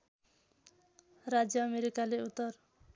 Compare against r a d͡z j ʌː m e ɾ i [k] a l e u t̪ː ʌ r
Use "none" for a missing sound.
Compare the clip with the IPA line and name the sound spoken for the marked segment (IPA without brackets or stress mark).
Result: k